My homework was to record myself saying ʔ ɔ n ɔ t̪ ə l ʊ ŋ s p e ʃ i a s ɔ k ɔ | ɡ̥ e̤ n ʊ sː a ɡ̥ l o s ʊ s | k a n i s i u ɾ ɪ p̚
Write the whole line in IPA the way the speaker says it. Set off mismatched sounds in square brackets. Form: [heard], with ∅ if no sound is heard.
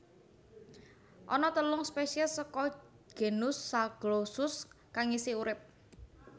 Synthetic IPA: ʔ ɔ n ɔ t̪ ə l ʊ ŋ s p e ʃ i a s ɔ k ɔ | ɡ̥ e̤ n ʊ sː a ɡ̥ l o s ʊ s | k a [ŋ] i s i u ɾ ɪ p̚